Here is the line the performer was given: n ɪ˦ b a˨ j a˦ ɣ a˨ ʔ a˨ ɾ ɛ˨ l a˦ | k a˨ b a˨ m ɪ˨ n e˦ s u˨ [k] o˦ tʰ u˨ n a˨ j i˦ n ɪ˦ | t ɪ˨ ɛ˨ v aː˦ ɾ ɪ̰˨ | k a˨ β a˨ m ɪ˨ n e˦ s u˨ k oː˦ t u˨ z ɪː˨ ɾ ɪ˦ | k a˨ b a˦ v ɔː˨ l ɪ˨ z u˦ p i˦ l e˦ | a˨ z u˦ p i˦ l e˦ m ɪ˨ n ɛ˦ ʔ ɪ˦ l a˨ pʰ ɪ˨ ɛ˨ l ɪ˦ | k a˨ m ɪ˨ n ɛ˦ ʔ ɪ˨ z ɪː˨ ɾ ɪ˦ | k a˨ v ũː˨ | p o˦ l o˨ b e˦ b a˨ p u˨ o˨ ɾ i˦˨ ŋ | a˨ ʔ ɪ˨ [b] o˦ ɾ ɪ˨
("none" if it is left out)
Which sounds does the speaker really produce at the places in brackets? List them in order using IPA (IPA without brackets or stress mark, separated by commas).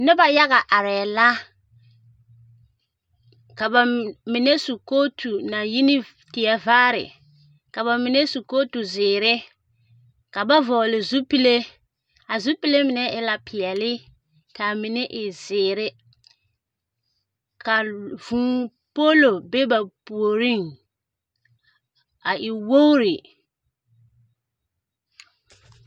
k, w